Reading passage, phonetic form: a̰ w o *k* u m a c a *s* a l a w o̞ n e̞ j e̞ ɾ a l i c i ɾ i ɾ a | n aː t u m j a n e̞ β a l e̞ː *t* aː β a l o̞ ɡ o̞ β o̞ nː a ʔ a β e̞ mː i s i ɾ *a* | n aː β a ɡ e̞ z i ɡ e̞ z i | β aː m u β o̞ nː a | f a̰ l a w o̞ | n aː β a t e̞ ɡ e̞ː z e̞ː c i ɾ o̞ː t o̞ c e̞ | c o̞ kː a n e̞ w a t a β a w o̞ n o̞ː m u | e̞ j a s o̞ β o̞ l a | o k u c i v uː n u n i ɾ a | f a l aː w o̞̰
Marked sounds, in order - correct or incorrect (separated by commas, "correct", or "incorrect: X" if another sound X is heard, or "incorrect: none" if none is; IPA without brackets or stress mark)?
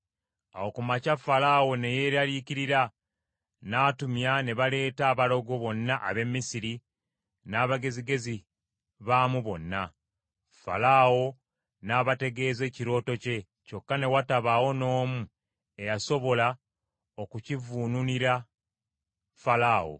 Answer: correct, incorrect: f, correct, incorrect: i